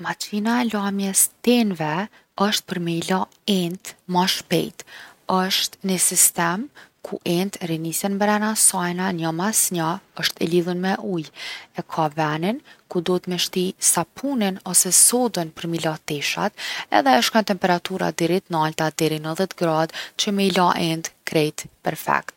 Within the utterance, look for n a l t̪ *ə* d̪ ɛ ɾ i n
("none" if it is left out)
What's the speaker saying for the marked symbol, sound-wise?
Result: a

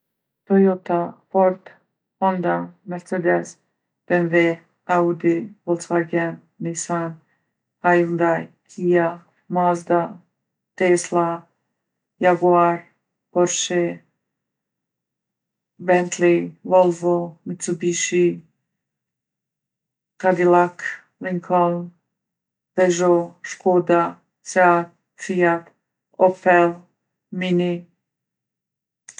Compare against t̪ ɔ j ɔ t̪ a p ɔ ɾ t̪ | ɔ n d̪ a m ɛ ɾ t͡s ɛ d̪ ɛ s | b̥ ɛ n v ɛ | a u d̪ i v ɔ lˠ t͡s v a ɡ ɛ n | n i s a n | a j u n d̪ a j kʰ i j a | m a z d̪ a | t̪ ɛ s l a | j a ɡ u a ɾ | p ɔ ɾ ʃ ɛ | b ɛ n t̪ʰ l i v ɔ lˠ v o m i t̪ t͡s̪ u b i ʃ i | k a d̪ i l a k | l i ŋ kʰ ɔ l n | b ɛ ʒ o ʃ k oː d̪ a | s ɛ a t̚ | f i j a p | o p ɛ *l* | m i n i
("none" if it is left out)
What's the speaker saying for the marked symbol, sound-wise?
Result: l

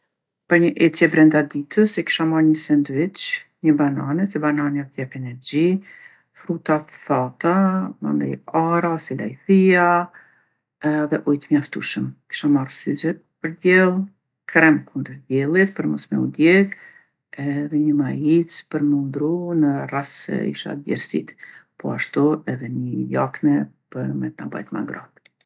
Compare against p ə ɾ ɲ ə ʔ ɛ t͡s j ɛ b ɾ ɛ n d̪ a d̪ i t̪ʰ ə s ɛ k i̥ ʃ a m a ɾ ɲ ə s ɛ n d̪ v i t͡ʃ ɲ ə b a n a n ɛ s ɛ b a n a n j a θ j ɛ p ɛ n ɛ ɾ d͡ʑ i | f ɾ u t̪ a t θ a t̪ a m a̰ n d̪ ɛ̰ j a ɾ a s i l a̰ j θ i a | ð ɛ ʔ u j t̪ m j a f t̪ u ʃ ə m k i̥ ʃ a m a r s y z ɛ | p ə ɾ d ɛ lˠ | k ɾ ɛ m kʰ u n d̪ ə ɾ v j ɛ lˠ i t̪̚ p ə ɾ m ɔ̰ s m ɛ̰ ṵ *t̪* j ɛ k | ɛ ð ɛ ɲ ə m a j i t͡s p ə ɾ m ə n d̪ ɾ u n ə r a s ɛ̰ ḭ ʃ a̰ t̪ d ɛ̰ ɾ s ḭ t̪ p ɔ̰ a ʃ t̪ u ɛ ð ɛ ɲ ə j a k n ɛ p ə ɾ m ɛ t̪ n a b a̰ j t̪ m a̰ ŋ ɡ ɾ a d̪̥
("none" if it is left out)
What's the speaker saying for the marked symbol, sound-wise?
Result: d̪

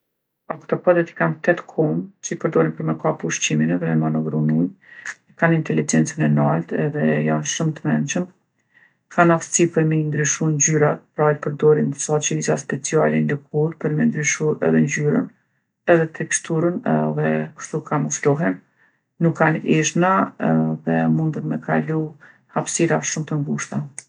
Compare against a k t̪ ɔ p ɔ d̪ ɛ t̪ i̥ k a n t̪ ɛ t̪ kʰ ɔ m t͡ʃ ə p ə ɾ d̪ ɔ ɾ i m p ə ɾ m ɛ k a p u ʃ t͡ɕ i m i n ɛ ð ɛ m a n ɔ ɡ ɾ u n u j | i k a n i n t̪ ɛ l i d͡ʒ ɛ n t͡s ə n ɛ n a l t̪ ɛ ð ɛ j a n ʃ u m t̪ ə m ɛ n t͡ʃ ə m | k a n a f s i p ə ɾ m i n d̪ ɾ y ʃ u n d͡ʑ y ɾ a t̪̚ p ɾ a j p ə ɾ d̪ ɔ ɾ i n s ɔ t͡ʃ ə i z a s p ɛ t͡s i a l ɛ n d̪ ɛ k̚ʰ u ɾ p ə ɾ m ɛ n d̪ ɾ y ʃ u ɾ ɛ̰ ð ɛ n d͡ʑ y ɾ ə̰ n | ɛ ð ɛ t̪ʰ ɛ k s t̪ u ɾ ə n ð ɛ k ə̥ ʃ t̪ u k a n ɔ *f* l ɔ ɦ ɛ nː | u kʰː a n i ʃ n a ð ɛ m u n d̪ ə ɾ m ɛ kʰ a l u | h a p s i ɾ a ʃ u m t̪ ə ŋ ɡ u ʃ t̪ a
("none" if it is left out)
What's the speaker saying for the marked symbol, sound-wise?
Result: f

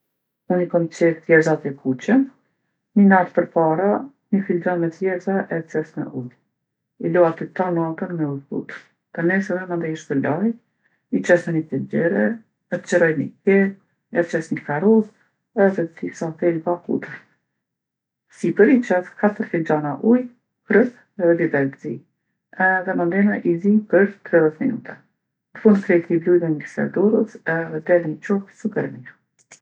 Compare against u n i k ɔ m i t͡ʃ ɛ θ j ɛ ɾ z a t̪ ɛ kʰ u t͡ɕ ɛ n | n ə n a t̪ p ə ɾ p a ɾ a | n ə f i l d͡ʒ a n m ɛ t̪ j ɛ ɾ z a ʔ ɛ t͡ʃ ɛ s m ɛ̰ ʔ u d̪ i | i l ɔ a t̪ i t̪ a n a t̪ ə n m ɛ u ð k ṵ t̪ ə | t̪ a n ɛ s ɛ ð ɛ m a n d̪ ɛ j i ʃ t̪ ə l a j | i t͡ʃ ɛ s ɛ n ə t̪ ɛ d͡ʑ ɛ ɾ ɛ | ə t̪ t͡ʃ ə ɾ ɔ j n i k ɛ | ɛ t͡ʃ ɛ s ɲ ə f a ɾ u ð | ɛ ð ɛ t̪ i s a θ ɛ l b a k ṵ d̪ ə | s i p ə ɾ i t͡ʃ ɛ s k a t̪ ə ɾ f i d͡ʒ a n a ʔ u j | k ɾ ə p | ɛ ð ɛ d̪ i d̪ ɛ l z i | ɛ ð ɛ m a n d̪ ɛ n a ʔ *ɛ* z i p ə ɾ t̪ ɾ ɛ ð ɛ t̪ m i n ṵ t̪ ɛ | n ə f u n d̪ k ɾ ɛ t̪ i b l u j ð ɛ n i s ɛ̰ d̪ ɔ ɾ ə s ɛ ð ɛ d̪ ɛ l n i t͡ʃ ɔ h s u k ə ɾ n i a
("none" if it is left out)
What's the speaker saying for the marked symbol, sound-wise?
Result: i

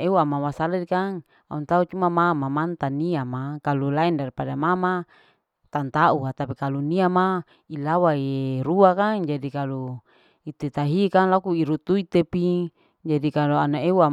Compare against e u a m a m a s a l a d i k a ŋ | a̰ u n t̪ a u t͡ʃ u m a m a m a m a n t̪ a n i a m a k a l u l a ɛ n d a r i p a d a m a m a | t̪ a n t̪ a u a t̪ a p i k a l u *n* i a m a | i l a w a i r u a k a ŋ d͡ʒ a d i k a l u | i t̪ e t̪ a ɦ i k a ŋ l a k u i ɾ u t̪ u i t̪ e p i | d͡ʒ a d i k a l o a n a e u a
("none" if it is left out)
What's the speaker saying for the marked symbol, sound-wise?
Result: n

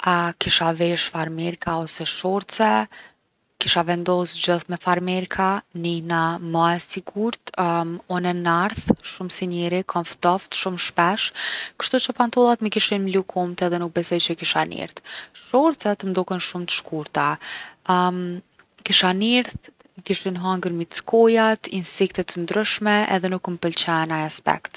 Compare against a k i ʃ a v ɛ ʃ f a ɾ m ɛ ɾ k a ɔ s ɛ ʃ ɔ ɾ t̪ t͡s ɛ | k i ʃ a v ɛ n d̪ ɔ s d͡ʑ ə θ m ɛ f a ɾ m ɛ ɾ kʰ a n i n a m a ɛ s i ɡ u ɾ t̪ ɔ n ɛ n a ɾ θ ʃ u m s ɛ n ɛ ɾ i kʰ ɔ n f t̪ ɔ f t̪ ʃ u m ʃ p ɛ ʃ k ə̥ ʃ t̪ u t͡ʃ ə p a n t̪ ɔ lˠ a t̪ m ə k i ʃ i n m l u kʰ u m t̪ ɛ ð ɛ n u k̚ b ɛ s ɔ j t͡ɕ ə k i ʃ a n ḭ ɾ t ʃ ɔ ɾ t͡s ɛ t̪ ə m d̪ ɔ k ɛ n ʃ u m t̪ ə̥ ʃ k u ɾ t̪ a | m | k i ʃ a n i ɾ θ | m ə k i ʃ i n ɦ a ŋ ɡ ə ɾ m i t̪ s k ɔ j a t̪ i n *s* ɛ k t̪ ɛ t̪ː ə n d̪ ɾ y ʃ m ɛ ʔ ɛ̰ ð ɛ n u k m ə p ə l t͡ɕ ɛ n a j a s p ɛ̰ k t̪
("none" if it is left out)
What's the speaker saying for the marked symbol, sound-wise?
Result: s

